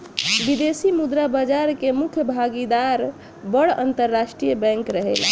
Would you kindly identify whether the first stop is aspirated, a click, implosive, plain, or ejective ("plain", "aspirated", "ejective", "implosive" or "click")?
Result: plain